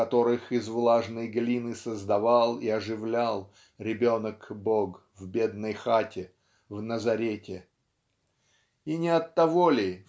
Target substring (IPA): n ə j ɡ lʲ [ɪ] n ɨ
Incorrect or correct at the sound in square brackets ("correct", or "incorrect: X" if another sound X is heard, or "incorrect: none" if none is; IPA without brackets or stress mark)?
incorrect: i